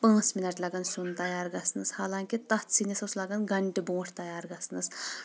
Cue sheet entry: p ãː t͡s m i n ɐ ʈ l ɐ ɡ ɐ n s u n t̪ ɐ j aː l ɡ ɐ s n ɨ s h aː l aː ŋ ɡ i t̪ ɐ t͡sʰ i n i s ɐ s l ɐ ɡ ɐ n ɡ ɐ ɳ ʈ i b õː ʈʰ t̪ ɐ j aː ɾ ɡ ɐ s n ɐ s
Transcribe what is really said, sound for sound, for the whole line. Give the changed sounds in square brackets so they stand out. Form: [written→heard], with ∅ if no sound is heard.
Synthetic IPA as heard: p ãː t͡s m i n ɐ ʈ l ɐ ɡ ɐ n s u n t̪ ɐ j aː [l→ɾ] ɡ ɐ s n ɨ s h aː l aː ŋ [ɡ→k] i t̪ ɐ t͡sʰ i n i s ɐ s l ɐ ɡ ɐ n ɡ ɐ ɳ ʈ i b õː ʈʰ t̪ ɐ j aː ɾ ɡ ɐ s n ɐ s